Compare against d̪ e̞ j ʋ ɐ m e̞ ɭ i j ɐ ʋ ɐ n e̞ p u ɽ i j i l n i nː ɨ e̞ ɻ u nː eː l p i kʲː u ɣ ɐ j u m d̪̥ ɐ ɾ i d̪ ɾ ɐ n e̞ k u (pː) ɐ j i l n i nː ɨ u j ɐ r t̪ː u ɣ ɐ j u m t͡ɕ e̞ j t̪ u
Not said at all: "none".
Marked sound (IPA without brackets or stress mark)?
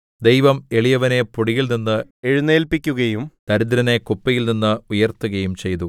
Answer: pː